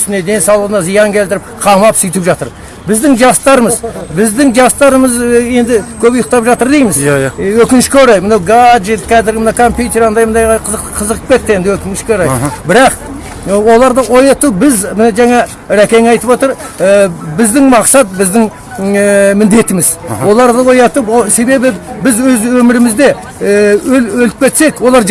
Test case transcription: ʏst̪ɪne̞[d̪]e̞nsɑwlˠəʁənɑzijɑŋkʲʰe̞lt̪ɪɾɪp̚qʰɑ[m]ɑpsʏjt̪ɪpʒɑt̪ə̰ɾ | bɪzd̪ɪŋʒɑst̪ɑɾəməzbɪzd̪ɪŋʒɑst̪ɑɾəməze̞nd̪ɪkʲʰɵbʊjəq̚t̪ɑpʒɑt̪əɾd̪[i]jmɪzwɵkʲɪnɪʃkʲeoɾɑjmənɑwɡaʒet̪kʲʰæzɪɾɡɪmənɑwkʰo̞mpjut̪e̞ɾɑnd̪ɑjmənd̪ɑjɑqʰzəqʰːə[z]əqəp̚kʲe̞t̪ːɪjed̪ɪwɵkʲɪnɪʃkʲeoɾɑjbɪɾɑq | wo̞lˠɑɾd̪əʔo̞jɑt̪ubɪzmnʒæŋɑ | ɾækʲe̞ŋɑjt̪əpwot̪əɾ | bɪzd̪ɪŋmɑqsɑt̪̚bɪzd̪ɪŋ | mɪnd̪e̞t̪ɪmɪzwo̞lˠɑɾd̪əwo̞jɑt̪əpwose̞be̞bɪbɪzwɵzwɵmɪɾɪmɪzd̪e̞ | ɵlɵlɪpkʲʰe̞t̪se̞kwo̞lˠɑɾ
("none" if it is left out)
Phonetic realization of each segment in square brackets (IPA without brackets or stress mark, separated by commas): d̪, m, e, z